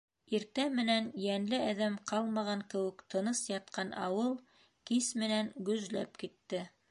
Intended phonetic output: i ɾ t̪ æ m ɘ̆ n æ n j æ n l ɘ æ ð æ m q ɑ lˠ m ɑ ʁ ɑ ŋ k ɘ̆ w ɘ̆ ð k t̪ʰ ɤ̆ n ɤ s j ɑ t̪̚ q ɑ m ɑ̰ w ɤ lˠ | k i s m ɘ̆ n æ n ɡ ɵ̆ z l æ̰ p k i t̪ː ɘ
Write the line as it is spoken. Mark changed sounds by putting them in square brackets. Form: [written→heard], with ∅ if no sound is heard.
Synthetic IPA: i ɾ t̪ æ m ɘ̆ n æ n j æ n l ɘ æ ð æ m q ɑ lˠ m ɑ ʁ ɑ ŋ k ɘ̆ w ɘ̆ [ð→∅] k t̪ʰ ɤ̆ n ɤ s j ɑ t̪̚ q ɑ [m→n] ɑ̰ w ɤ lˠ | k i s m ɘ̆ n æ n ɡ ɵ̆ z l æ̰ p k i t̪ː ɘ